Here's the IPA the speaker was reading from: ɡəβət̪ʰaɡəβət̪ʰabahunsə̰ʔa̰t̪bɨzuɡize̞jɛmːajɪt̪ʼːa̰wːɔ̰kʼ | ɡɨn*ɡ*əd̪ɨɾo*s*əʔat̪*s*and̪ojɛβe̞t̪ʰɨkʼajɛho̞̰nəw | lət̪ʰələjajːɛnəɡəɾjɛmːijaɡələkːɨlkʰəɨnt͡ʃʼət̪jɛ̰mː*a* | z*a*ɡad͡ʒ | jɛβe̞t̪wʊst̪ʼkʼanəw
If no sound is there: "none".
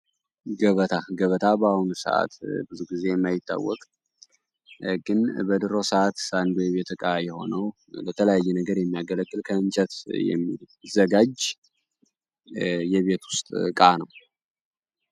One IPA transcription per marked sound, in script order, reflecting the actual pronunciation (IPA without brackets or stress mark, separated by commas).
b, s, s, i, ə